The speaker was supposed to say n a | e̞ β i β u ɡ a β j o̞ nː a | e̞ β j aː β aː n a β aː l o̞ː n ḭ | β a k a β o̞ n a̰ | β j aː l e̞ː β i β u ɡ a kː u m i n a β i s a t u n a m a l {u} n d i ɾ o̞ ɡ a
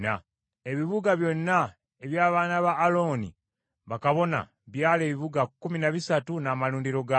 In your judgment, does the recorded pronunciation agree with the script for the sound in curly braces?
no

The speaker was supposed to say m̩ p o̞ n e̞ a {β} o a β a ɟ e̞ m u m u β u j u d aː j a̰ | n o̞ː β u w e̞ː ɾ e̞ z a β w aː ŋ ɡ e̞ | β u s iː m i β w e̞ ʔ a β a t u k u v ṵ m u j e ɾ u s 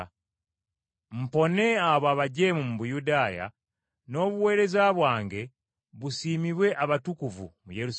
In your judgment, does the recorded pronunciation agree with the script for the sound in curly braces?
yes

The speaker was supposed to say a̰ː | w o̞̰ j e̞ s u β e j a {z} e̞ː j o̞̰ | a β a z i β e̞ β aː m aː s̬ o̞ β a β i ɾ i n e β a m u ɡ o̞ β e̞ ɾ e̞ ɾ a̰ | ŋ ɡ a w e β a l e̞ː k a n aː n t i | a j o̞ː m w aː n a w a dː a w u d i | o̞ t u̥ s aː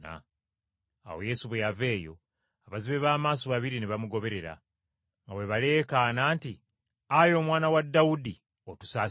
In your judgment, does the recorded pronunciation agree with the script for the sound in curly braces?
no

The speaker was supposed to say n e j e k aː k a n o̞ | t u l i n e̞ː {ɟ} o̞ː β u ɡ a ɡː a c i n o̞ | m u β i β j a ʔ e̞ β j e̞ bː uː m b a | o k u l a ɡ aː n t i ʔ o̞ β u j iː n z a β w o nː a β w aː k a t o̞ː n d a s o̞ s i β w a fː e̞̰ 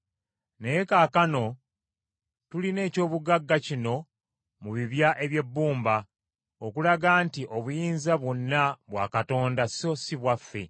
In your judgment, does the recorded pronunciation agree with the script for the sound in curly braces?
no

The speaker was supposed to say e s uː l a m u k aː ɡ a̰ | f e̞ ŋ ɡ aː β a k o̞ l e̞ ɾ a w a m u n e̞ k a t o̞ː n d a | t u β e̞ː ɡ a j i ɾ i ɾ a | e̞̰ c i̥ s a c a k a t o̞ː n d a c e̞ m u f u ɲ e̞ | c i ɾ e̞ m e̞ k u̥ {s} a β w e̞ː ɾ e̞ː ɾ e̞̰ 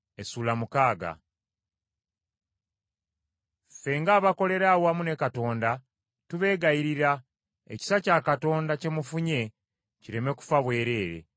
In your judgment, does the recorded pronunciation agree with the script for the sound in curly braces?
no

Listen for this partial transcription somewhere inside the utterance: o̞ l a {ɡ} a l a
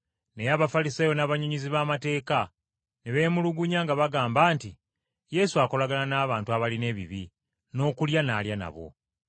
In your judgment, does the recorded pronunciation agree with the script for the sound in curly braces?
yes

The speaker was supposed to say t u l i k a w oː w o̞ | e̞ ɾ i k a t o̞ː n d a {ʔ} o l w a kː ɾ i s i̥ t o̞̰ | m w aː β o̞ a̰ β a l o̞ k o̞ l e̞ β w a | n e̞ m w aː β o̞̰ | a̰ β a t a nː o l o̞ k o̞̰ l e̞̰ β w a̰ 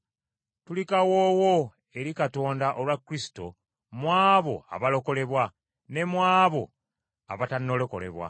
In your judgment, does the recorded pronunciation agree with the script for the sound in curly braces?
yes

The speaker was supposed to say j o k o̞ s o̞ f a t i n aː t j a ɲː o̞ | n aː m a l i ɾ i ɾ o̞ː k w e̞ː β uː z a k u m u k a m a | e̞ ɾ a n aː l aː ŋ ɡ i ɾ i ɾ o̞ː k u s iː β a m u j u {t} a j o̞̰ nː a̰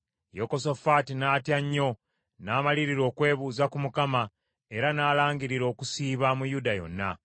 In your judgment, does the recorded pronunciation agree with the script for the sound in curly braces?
no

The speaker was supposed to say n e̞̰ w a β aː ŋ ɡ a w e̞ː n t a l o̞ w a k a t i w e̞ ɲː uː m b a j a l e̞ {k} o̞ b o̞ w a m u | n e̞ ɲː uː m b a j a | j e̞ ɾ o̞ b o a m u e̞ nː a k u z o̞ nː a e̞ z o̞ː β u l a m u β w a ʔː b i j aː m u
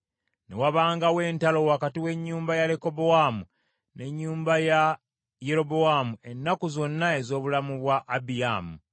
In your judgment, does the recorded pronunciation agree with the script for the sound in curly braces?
yes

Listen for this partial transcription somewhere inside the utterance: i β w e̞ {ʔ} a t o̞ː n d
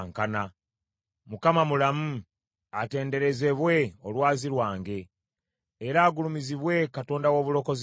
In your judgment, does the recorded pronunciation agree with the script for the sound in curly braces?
no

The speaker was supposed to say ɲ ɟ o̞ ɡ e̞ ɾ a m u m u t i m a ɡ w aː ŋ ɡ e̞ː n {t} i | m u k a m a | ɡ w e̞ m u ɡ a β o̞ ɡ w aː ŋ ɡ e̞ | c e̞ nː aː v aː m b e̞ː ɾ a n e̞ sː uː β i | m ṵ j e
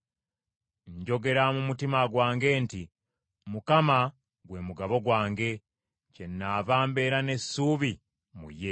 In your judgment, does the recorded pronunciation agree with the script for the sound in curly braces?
yes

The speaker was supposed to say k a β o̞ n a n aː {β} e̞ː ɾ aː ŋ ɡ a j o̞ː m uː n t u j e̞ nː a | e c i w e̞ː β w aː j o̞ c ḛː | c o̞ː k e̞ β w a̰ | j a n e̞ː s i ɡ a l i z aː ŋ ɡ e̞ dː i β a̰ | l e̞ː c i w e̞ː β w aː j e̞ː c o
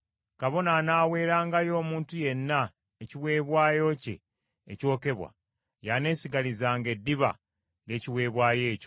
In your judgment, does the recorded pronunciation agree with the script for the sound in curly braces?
no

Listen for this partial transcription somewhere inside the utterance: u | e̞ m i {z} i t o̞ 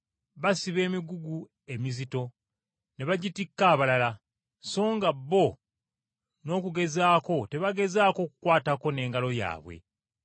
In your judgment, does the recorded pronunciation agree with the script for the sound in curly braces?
yes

